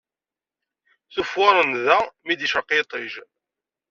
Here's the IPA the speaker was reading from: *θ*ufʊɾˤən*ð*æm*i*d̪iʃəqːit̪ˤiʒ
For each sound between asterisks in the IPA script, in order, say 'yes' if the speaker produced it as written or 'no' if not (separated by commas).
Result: yes, yes, yes